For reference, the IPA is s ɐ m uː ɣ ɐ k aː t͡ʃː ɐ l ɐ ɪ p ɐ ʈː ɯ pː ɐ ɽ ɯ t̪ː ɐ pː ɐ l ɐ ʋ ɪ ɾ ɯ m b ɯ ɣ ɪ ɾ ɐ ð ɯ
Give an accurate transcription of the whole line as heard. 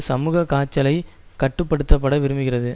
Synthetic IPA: s ɐ m uː ɣ ɐ k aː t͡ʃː ɐ l ɐ ɪ k ɐ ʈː ɯ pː ɐ ɽ ɯ t̪ː ɐ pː ɐ ɽ ɐ ʋ ɪ ɾ ɯ m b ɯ ɣ ɪ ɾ ɐ ð ɯ